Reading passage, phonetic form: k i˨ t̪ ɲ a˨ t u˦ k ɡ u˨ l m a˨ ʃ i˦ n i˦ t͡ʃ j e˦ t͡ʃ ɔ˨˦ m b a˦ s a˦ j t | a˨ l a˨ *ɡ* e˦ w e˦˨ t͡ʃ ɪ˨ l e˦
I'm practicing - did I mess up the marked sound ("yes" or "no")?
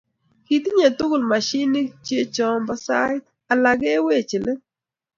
no